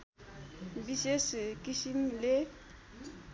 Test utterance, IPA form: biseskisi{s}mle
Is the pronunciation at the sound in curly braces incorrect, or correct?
incorrect